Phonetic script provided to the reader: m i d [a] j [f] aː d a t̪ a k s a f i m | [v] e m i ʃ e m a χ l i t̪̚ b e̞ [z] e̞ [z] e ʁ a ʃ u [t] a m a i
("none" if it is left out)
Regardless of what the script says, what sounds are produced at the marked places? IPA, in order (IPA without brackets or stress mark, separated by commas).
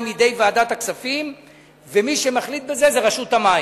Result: e, v, v, z, z, t